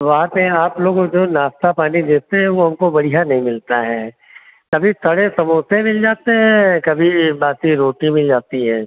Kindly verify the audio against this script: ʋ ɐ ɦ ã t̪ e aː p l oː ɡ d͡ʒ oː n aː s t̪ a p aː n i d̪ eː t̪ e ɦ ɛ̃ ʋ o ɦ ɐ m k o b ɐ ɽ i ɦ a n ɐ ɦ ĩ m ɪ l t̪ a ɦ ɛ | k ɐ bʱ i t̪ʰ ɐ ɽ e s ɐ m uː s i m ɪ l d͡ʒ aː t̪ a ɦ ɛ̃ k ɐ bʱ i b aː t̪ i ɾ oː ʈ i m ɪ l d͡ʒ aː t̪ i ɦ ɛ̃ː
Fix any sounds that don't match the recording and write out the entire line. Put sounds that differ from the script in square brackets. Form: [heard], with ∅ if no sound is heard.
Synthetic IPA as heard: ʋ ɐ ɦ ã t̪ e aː p l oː ɡ d͡ʒ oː n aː s t̪ a p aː n i d̪ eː t̪ e ɦ ɛ̃ ʋ o ɦ ɐ m k o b ɐ ɽ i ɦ a n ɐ ɦ ĩ m ɪ l t̪ a ɦ ɛ | k ɐ bʱ i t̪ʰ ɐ ɽ e s ɐ m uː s [e] m ɪ l d͡ʒ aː t̪ [e] ɦ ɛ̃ k ɐ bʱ i b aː t̪ i ɾ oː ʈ i m ɪ l d͡ʒ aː t̪ i ɦ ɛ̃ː